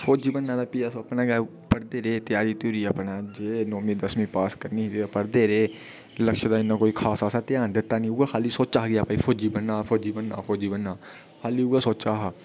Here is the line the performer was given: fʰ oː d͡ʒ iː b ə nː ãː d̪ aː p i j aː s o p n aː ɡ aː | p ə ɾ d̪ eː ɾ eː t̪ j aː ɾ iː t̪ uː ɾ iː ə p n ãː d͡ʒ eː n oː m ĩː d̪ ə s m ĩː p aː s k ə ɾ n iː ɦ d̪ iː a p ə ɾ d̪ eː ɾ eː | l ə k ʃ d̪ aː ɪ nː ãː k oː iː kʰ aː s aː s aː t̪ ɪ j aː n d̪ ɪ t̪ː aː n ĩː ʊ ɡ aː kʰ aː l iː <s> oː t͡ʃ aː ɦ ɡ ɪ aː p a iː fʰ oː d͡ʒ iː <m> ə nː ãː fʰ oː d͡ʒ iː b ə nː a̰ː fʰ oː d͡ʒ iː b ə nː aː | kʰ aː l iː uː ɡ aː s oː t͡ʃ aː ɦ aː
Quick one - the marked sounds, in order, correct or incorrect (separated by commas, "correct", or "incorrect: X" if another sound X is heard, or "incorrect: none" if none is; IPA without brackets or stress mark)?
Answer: correct, incorrect: b